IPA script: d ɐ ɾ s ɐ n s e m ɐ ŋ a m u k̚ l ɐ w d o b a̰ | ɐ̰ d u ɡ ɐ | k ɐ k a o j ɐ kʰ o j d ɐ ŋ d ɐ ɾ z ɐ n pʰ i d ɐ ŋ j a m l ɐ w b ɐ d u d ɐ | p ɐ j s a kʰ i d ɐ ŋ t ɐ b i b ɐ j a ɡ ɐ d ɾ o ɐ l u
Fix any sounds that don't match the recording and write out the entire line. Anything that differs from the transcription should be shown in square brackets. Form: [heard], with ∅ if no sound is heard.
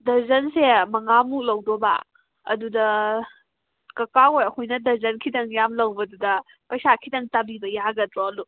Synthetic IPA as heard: d ɐ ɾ [z] ɐ n s e m ɐ ŋ a m u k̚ l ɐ w d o b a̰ | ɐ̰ d u [d] ɐ | k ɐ k a o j ɐ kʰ o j [n] ɐ [∅] d ɐ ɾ z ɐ n [kʰ] i d ɐ ŋ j a m l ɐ w b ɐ d u d ɐ | p ɐ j s a kʰ i d ɐ ŋ t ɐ b i b ɐ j a ɡ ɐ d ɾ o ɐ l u